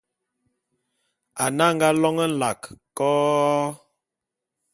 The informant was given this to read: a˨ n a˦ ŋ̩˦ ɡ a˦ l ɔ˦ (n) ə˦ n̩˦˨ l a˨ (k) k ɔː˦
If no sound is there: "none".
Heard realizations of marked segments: ŋ, k

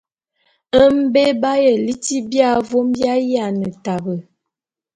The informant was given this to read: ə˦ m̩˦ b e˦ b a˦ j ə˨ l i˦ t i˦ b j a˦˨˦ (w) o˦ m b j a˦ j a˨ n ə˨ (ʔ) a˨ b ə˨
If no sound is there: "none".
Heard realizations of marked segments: v, t

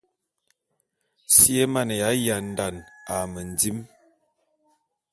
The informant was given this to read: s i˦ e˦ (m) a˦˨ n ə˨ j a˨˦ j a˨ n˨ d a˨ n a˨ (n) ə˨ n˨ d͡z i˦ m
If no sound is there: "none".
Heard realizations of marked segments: m, m

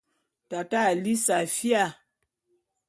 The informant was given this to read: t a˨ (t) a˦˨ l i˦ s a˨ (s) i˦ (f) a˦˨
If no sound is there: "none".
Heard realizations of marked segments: t, f, none

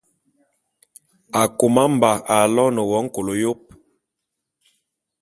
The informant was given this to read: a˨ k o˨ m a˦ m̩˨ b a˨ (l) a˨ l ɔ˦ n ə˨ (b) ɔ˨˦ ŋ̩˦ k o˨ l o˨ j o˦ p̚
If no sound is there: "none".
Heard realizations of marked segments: none, w

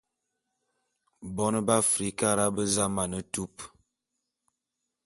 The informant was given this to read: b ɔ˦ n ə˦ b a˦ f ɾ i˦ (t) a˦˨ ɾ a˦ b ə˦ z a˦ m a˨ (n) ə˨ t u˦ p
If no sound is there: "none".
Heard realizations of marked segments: k, n

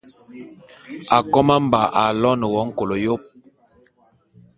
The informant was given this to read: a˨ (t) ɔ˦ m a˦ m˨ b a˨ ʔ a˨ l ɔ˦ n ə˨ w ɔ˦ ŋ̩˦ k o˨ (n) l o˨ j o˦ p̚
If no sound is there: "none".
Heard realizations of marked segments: k, none

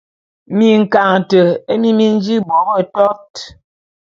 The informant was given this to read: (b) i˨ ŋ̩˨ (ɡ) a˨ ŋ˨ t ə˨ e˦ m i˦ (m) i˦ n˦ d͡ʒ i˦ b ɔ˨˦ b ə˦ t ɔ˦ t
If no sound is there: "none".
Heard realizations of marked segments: m, k, m

